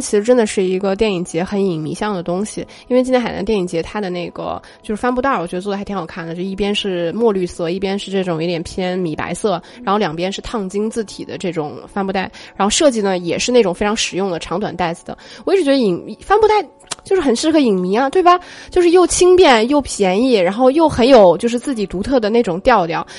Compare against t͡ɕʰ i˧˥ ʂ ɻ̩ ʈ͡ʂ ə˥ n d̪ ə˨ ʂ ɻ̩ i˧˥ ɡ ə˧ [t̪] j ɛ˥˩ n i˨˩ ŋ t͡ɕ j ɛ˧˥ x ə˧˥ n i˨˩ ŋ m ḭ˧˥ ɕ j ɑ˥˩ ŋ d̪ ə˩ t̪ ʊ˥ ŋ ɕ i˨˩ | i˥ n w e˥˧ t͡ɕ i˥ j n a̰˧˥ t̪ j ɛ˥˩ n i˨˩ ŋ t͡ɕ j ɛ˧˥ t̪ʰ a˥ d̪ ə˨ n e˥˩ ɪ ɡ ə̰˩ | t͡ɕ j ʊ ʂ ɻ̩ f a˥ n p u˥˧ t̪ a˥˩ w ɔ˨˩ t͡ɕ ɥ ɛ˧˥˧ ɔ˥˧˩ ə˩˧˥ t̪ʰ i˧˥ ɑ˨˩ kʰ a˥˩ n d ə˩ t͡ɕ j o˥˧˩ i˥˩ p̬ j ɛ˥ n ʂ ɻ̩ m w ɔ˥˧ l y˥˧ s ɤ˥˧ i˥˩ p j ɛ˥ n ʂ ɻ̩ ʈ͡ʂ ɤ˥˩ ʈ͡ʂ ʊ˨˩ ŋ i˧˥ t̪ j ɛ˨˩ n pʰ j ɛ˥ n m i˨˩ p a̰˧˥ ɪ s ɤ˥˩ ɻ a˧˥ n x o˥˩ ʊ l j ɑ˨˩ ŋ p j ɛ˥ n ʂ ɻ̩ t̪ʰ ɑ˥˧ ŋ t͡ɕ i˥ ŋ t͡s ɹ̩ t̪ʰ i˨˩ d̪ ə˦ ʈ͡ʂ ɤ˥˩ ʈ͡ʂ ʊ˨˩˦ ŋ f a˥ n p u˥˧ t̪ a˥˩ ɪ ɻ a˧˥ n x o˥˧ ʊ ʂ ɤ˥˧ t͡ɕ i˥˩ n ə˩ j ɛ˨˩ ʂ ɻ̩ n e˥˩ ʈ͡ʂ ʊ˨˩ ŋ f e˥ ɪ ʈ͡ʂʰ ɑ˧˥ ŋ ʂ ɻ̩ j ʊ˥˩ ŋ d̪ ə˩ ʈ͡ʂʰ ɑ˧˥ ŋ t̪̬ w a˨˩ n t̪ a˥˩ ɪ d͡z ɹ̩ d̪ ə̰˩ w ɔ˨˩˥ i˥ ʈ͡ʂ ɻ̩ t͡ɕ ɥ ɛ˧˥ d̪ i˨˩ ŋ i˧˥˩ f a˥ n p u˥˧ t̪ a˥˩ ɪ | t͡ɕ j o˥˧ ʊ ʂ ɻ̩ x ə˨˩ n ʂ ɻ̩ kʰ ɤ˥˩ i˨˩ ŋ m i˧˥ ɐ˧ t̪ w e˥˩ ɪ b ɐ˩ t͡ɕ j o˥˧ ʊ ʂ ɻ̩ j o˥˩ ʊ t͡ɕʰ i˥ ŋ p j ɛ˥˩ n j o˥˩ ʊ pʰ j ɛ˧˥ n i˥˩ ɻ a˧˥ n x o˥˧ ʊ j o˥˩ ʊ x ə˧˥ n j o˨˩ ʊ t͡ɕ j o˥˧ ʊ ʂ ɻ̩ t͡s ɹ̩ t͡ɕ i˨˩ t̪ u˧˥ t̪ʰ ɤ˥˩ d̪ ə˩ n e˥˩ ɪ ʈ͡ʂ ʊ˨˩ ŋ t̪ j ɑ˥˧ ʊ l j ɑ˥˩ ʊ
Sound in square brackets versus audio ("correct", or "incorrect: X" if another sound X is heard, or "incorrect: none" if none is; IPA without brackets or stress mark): correct